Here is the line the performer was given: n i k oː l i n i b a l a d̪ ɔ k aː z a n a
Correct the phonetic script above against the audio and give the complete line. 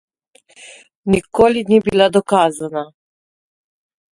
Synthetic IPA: n i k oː l i n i b i l a d̪ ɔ k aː z a n a